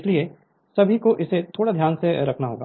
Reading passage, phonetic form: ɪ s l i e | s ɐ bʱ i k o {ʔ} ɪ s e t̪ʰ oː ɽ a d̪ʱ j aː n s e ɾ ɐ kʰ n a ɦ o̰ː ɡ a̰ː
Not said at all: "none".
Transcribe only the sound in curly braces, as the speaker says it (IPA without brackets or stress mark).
ʔ